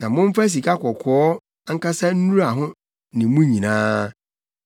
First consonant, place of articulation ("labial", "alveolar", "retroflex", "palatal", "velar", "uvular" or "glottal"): alveolar